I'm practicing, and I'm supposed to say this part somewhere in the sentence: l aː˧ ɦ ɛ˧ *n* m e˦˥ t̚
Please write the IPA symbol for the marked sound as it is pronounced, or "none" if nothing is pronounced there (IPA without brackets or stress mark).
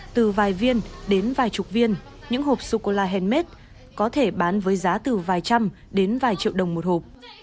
n